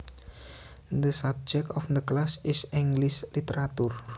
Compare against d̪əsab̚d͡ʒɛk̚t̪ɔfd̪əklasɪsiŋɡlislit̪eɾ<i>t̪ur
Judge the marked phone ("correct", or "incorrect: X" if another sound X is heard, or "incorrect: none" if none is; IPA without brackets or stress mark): incorrect: a